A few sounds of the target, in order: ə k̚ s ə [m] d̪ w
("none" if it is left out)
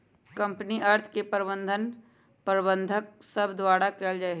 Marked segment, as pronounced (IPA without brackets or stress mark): b